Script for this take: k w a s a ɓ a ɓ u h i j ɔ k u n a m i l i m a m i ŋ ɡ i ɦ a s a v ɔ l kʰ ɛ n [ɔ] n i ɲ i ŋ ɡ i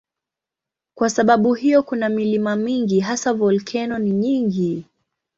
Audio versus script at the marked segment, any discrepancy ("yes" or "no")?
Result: no